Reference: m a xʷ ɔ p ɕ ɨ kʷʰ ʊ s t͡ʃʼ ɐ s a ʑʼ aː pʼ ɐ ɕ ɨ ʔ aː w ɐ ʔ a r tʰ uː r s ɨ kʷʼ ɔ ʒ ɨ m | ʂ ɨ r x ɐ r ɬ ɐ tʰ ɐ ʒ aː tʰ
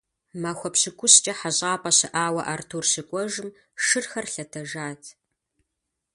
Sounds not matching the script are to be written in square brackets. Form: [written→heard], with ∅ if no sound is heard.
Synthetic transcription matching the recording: m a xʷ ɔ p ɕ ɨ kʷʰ ʊ s t͡ʃʼ ɐ [s→ħ] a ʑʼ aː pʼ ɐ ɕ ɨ ʔ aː w ɐ ʔ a r tʰ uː r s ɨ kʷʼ ɔ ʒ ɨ m | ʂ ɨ r x ɐ r ɬ ɐ tʰ ɐ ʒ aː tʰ